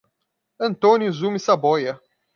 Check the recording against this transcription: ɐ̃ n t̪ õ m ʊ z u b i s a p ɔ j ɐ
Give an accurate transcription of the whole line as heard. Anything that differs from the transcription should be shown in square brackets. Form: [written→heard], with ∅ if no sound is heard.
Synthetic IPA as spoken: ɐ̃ n t̪ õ [m→n] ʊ z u [b→m] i s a [p→b] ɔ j ɐ